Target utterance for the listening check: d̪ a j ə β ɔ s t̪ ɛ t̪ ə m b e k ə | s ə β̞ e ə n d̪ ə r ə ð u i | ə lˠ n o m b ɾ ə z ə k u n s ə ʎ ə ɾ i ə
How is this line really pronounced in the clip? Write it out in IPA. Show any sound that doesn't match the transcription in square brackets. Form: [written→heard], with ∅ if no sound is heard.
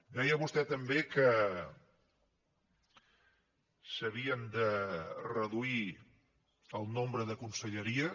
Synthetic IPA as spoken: d̪ [a→ɛ] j ə β [ɔ→u] s t̪ ɛ t̪ ə m b e k ə | s ə β̞ [e→i] ə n d̪ ə r ə ð u i | ə lˠ n o m b ɾ ə [z→ð] ə k u n s ə ʎ ə ɾ i ə